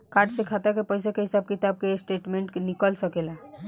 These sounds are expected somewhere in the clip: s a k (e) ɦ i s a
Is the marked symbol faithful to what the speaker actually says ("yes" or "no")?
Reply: yes